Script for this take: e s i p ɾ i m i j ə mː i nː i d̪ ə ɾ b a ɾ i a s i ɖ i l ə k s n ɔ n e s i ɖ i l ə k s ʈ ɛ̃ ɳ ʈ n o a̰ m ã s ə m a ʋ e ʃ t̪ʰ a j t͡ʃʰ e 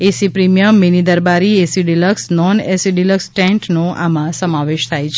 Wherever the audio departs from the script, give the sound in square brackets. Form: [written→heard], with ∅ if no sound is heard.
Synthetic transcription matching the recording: e s i p ɾ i m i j ə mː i [nː→n] i d̪ ə ɾ b a ɾ i [a→e] s i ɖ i l ə k s n ɔ n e s i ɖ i l ə k s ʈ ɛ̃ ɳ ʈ n o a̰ m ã s ə m a ʋ e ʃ t̪ʰ a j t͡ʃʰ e